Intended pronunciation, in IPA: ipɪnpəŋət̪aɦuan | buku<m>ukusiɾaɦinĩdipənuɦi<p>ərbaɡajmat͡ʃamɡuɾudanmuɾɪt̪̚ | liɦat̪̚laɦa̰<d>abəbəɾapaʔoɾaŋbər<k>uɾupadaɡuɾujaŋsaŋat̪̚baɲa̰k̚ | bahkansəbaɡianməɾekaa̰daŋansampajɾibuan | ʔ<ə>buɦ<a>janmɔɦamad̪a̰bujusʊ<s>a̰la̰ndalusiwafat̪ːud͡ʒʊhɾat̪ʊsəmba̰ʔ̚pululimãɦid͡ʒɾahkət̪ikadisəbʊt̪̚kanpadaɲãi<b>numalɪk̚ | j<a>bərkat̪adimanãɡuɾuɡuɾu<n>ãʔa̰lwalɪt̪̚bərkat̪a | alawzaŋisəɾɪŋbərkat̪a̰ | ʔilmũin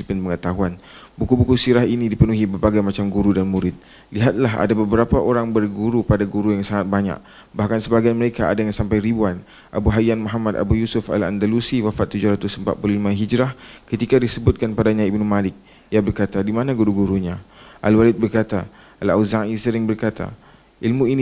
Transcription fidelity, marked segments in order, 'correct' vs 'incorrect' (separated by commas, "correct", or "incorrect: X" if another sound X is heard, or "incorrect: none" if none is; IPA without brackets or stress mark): incorrect: b, incorrect: b, correct, incorrect: ɡ, incorrect: a, correct, incorrect: f, correct, correct, incorrect: ɲ